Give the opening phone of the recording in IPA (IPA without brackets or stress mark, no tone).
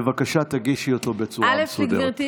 v